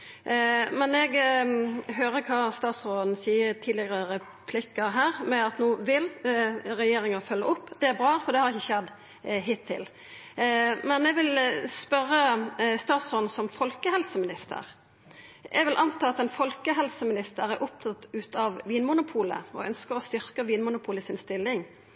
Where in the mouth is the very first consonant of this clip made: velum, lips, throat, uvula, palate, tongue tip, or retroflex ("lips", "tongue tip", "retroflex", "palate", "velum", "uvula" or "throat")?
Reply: lips